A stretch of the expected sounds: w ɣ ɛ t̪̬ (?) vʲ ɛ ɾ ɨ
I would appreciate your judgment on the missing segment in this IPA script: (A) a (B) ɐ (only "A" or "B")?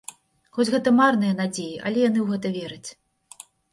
B